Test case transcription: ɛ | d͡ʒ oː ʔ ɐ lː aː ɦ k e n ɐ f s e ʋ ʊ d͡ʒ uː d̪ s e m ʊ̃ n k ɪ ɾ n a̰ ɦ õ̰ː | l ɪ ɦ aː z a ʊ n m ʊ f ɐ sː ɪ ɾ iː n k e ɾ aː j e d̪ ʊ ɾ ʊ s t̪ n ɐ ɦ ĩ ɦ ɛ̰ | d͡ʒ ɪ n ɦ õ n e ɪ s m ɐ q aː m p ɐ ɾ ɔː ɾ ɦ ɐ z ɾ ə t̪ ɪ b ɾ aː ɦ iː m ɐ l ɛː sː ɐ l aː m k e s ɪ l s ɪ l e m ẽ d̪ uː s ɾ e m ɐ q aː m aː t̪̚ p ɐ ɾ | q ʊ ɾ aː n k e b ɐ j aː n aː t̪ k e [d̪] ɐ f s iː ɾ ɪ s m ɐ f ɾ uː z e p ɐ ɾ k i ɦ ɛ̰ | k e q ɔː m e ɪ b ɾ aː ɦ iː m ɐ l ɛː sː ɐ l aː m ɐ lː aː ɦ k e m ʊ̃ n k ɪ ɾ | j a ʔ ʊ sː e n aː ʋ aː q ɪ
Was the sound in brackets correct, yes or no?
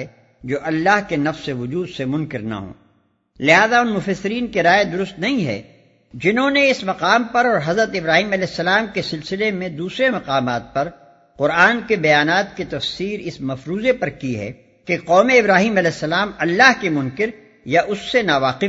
no